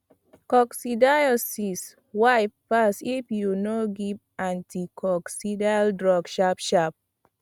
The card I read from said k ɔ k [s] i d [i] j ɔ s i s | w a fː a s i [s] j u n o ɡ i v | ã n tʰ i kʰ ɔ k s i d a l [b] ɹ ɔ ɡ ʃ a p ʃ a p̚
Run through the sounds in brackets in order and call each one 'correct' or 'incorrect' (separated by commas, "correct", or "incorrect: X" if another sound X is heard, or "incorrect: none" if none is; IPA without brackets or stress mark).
correct, incorrect: a, incorrect: f, incorrect: d